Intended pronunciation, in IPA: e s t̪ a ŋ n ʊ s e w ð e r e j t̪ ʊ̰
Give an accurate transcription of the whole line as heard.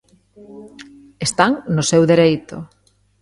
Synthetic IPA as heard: e s t̪ a ŋ n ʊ s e w ð e ɾ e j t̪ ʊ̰